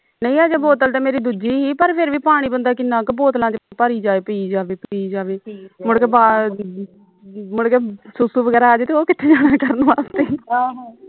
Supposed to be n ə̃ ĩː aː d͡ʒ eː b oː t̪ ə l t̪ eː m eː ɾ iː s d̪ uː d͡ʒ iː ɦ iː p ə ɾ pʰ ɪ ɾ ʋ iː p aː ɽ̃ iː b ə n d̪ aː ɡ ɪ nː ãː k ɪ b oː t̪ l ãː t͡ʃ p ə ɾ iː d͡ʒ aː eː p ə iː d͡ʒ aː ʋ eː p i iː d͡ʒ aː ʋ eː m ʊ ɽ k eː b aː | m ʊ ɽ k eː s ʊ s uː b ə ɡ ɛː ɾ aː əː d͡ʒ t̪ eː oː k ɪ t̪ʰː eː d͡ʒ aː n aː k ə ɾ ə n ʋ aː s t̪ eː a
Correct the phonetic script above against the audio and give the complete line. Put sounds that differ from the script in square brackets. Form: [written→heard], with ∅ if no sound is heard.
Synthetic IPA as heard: n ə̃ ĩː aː d͡ʒ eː b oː t̪ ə l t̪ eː m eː ɾ iː [s→∅] d̪ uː d͡ʒ iː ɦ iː p ə ɾ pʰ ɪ ɾ ʋ iː p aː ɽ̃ iː b ə n d̪ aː [ɡ→k] ɪ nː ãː k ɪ b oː t̪ l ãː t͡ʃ p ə ɾ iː d͡ʒ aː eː p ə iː d͡ʒ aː ʋ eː p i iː d͡ʒ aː ʋ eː m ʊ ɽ k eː b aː | m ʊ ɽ k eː s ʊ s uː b ə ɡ ɛː ɾ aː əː d͡ʒ t̪ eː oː k ɪ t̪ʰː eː d͡ʒ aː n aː k ə ɾ ə n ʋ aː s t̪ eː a